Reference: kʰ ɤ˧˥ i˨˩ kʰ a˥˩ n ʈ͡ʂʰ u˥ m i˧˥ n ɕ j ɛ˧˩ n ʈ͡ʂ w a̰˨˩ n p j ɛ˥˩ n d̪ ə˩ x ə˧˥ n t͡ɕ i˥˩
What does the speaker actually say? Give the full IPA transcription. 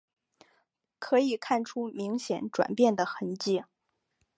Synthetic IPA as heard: kʰ ɤ˧˥ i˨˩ kʰ a˥˩ n ʈ͡ʂʰ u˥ m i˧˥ ŋ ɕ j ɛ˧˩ n ʈ͡ʂ w a̰˨˩ n p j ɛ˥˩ n d̪ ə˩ x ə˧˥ n t͡ɕ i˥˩